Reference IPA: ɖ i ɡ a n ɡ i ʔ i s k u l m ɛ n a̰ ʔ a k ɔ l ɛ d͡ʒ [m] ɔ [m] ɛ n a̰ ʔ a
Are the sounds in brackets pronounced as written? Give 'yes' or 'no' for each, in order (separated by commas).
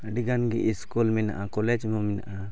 yes, yes